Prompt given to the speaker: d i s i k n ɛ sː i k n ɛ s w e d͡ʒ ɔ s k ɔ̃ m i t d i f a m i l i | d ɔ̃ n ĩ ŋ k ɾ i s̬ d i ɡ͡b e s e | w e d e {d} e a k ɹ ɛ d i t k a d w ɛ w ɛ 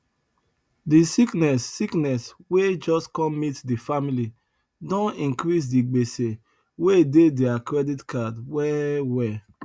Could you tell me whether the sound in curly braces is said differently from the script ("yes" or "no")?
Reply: no